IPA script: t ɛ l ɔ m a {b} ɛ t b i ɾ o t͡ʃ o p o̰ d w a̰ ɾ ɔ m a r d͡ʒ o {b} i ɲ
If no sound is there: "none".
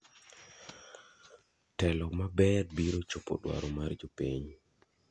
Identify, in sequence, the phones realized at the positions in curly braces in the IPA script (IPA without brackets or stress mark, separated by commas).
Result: b, p